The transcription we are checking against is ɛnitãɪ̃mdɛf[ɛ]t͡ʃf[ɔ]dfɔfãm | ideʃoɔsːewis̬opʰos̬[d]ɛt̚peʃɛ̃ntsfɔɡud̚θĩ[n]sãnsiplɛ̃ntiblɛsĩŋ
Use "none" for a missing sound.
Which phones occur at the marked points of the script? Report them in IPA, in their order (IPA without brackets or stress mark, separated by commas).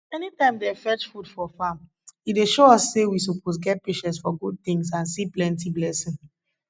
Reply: ɛ, u, ɡ, ŋ